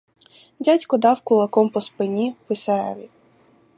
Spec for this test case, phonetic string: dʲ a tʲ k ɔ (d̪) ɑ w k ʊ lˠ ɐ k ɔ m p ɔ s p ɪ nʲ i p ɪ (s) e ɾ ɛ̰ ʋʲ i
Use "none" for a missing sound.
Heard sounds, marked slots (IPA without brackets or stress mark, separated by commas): d̪, s